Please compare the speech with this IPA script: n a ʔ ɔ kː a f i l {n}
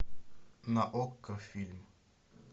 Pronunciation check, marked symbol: incorrect: m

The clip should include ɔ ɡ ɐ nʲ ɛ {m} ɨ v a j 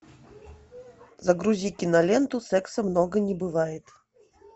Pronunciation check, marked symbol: incorrect: b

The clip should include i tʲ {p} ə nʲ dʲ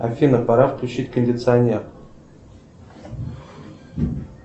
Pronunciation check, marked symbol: incorrect: k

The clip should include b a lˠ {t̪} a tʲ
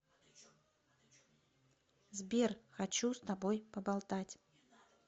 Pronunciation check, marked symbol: correct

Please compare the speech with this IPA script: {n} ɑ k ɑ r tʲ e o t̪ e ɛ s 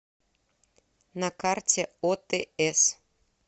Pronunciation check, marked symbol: correct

